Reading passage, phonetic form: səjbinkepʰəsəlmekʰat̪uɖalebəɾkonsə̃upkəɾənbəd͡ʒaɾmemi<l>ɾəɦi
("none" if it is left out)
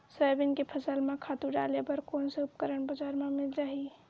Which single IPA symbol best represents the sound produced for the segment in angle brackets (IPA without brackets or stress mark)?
l